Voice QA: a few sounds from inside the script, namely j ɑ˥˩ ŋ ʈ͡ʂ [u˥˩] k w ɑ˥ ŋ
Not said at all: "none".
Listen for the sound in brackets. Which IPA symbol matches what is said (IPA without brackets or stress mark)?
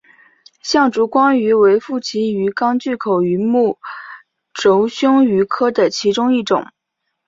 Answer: u˧˥